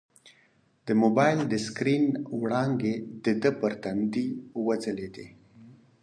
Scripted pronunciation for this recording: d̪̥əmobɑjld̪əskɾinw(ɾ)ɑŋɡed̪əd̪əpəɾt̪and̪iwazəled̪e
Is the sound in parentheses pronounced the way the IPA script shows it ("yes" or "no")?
no